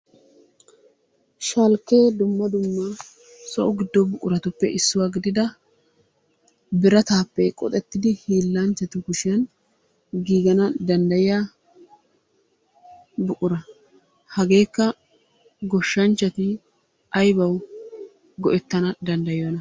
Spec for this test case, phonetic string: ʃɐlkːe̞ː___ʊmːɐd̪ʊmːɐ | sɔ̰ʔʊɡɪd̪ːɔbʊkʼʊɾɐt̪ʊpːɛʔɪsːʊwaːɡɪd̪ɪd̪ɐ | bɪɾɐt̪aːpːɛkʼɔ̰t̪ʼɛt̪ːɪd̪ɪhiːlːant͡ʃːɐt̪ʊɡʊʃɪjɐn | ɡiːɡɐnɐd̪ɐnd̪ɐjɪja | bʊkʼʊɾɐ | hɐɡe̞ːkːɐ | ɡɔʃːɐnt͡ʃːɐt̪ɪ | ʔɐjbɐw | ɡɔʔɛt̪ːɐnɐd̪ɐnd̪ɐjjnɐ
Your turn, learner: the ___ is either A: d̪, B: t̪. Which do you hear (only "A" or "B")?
A